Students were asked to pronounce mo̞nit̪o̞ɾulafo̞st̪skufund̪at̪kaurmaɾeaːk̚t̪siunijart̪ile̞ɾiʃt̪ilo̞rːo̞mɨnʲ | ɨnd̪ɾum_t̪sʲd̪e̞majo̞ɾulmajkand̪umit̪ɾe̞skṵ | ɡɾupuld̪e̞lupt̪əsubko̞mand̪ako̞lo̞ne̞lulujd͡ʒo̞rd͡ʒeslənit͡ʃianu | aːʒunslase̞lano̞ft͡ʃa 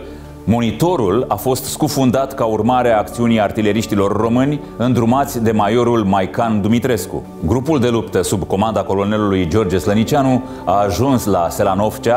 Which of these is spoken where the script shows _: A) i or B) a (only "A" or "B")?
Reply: B